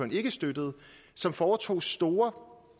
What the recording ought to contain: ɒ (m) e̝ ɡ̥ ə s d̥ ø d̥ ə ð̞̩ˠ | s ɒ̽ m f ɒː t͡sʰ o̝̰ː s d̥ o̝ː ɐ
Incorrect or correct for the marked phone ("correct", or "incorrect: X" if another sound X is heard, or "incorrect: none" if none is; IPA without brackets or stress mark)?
incorrect: n